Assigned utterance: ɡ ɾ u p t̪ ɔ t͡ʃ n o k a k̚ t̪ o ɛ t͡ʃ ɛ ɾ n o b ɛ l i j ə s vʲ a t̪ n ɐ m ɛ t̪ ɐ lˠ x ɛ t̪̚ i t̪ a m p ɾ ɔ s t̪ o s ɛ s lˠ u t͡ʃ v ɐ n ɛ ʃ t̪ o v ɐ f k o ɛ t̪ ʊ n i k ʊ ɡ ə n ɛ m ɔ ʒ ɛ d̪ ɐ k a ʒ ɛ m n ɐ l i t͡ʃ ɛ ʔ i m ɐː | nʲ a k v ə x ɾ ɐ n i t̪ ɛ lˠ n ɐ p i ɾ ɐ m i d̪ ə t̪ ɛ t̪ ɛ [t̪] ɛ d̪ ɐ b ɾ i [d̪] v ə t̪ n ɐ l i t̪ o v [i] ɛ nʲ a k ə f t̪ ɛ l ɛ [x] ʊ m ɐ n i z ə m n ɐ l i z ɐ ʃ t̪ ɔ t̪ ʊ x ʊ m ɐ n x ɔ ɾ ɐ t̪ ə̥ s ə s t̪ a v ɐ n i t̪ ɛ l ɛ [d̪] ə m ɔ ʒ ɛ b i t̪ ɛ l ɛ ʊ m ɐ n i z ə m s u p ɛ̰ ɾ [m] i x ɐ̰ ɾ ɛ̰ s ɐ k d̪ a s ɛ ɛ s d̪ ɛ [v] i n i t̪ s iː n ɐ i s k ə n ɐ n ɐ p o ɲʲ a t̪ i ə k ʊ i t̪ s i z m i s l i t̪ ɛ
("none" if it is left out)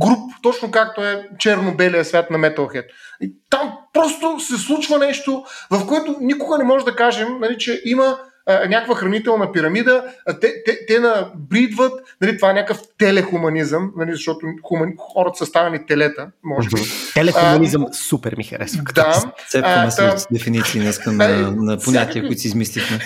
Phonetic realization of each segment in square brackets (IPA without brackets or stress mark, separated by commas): t̪, d̪, a, x, t̪, m, f